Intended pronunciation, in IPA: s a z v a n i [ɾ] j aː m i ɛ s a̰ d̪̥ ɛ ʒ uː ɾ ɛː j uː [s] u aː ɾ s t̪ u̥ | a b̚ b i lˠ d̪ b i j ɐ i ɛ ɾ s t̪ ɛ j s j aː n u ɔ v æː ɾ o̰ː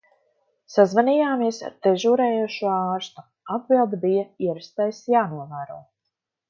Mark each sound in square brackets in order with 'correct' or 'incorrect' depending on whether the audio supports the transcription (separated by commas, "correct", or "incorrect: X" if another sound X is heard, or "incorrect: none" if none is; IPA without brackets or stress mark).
incorrect: none, incorrect: ʃ